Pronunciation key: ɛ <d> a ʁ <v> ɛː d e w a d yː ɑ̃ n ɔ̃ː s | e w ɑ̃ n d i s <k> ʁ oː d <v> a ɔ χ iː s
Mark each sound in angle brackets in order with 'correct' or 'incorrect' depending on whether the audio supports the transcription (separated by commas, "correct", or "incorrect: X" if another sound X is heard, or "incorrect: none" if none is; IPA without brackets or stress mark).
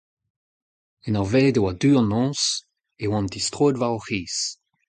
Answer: incorrect: n, correct, incorrect: t, correct